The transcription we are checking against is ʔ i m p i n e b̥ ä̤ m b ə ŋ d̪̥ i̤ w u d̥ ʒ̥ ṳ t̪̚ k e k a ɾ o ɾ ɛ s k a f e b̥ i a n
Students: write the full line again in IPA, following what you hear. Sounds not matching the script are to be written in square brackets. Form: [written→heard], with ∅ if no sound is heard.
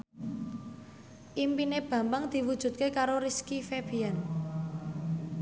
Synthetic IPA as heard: ʔ i m p i n e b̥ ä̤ m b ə ŋ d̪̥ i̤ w u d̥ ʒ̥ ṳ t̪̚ k e k a ɾ o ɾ [ɛ→i] s k [a→i] f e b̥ i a n